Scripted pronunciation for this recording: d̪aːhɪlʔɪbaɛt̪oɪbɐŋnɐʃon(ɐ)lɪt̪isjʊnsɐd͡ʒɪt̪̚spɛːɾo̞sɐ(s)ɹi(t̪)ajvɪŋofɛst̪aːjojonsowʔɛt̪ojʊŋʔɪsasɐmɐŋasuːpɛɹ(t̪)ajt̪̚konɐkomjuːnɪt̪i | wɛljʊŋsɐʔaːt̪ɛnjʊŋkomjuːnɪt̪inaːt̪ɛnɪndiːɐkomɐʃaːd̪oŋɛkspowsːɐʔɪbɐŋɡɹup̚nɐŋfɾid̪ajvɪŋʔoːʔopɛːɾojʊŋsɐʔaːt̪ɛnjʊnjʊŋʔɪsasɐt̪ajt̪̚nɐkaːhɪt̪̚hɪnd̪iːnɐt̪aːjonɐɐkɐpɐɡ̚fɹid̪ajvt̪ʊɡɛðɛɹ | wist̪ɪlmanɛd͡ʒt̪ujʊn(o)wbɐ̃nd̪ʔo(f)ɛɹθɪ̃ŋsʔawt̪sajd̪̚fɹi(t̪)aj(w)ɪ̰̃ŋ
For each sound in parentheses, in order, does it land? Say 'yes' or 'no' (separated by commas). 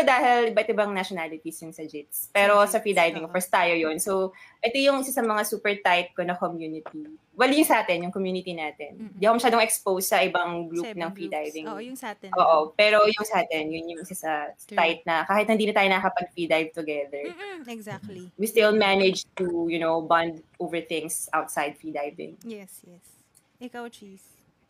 no, no, no, yes, yes, no, no, no